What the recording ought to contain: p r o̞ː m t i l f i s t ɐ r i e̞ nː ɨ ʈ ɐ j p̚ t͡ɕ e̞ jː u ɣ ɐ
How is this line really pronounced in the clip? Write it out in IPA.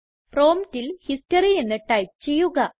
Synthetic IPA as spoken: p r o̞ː m t i l h i s t ɐ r i e̞ nː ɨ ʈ ɐ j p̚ t͡ɕ e̞ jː u ɣ ɐ